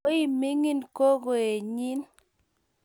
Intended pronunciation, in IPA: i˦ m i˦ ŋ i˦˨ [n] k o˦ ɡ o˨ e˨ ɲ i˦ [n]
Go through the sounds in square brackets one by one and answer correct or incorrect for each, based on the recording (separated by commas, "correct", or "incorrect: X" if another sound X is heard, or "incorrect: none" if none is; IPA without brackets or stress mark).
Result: correct, correct